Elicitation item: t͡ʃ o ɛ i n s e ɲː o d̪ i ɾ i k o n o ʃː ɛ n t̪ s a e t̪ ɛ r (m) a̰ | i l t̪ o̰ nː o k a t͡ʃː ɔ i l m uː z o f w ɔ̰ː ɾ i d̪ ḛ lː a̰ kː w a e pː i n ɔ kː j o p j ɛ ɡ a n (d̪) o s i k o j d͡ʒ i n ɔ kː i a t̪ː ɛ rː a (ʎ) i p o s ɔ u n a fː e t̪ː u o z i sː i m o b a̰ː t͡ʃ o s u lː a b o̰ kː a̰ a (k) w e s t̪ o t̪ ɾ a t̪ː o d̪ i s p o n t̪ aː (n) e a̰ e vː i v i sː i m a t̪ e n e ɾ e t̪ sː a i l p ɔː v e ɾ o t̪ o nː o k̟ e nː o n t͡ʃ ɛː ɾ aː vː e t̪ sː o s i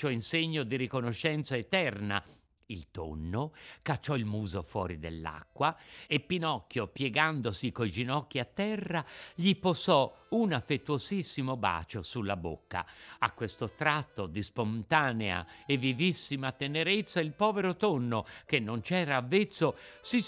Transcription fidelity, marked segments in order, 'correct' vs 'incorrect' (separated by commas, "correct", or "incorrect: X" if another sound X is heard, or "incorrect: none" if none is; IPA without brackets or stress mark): incorrect: n, correct, correct, correct, correct